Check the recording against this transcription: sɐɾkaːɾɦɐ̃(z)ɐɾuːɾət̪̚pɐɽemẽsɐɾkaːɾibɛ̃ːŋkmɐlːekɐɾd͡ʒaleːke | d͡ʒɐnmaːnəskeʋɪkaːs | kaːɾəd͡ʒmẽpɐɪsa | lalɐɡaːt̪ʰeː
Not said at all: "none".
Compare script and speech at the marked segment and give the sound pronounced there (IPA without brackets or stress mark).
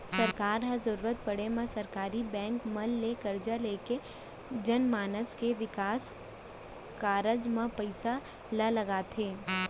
z